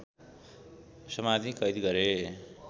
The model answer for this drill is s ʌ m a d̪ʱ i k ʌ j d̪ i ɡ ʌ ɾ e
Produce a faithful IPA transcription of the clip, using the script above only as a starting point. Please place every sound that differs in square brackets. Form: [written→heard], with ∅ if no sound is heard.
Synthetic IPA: s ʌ m a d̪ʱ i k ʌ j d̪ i ɡ ʌ ɾ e